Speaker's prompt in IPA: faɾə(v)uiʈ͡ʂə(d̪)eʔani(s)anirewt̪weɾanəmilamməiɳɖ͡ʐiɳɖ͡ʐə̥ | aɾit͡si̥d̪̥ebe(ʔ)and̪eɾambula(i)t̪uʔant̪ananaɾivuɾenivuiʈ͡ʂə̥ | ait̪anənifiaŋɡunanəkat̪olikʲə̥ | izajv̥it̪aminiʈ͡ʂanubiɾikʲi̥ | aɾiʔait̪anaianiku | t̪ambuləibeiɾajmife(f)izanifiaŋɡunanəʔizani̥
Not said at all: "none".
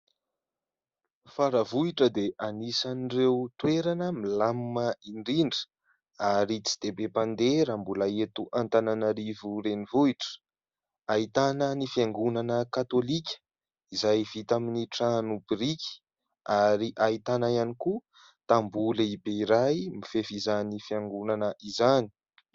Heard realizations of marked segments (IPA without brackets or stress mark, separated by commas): v, d̪, s, p, e, f